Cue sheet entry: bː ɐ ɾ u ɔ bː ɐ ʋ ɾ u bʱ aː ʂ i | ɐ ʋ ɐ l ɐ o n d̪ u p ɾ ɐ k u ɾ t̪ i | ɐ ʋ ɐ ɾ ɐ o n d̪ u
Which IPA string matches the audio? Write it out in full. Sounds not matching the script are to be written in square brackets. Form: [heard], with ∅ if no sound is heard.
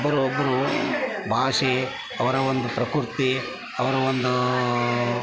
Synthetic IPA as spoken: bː ɐ ɾ u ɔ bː ɐ [∅] ɾ u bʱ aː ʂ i | ɐ ʋ ɐ [ɾ] ɐ o n d̪ u p ɾ ɐ k u ɾ t̪ i | ɐ ʋ ɐ ɾ ɐ o n d̪ u